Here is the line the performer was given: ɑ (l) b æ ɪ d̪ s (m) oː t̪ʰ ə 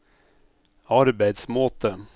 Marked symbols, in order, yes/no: no, yes

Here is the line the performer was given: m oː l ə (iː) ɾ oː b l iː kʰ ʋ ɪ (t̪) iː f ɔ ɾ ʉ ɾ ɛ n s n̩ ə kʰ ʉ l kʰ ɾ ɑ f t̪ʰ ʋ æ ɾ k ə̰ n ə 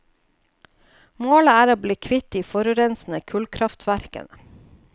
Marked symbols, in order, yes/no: no, yes

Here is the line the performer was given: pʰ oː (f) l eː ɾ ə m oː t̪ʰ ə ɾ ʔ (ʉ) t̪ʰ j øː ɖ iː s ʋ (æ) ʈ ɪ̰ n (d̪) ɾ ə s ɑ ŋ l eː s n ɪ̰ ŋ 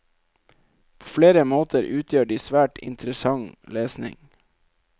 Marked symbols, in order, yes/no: yes, no, no, no

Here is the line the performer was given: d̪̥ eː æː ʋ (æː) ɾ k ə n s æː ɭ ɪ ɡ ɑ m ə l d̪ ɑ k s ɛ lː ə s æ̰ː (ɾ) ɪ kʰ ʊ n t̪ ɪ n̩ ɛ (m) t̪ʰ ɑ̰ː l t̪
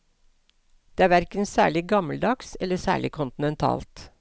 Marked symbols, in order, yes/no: no, no, no

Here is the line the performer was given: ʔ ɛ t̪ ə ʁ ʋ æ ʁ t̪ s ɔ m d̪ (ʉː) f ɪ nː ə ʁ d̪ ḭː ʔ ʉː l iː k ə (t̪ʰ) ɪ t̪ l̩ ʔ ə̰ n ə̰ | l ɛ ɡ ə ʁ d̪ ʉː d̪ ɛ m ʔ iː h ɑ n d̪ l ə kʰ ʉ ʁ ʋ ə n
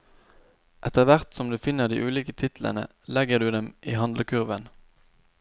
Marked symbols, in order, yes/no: yes, yes

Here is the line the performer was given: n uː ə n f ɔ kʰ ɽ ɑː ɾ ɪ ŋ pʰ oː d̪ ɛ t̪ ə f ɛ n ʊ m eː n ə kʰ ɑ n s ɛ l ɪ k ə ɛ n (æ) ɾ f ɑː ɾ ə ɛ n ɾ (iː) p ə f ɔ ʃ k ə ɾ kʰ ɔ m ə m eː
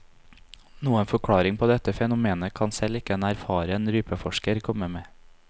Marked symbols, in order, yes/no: yes, no

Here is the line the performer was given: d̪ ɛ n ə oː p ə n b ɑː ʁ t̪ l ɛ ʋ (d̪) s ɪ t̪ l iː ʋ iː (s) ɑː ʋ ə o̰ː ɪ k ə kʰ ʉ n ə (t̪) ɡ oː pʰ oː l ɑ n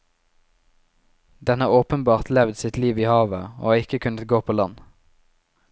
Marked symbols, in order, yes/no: yes, no, yes

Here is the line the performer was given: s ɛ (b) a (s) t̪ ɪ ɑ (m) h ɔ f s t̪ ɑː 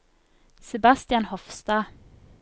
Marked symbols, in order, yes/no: yes, yes, no

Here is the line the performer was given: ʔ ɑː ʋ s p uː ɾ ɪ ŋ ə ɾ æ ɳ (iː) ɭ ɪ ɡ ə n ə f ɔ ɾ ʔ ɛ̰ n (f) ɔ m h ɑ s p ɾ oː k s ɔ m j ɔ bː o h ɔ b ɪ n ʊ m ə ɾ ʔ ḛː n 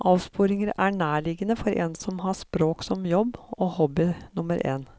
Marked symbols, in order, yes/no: no, no

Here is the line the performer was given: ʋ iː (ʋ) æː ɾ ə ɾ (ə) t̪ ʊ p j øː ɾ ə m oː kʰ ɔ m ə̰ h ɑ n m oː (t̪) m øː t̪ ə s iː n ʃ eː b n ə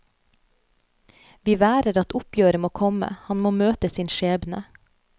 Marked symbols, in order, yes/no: yes, no, no

